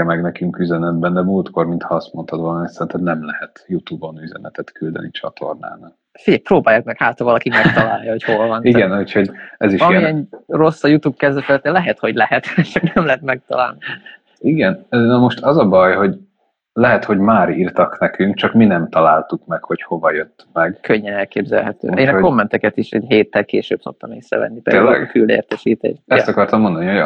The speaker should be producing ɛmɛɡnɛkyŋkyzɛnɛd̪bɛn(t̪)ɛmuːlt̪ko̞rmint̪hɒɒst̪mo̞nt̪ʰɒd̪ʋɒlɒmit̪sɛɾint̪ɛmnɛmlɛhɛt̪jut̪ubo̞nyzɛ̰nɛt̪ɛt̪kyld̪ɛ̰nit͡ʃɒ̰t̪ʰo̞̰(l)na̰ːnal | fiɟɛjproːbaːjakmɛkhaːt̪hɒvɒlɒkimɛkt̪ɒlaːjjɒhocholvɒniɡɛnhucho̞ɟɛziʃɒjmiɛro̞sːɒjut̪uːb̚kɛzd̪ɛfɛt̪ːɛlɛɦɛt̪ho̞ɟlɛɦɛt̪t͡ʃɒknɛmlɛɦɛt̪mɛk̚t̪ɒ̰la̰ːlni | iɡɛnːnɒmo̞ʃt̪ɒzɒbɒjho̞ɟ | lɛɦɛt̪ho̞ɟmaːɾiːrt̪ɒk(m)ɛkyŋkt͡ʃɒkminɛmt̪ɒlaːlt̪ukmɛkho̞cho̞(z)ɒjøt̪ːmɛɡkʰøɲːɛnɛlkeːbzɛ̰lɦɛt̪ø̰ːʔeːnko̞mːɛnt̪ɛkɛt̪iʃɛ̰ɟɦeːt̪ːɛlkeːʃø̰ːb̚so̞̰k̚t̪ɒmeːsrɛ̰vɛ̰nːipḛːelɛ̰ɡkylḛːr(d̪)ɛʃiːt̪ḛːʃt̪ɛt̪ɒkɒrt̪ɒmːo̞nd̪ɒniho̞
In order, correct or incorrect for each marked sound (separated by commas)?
incorrect, incorrect, incorrect, incorrect, incorrect